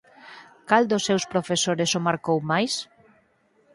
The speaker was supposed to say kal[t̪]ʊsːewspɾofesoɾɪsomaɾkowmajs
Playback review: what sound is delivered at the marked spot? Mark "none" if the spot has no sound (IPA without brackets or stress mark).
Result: d̪